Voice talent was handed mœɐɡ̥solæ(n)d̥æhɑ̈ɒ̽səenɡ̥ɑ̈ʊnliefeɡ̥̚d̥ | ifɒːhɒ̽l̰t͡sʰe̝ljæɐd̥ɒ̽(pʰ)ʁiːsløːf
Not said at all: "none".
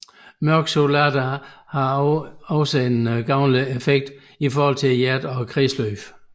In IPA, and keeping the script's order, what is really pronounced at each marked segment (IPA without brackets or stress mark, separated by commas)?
none, kʰ